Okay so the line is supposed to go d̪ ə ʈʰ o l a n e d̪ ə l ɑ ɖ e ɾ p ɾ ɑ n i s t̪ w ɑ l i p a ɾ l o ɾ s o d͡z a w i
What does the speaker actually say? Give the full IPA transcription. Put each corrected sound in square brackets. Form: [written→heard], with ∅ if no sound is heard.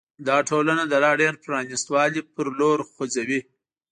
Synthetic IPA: d̪ [ə→ɑ] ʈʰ o l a n [e→a] d̪ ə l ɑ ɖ e ɾ p ɾ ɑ n i s t̪ w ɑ l i p [a→ə] ɾ l o ɾ [s→x] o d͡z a w i